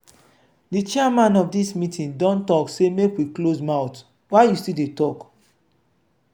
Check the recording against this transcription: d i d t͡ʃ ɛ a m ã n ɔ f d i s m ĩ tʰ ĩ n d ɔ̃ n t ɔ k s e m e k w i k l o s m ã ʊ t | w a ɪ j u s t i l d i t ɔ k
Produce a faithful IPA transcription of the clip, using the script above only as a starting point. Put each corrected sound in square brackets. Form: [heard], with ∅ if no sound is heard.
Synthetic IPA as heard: d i [∅] t͡ʃ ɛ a m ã n ɔ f d i s m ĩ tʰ ĩ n d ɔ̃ n t ɔ k s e m e k w i k l o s m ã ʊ t | w a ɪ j u s t i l d [e] t ɔ k